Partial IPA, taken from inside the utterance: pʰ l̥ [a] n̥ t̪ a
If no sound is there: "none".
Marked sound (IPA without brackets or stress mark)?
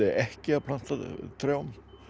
a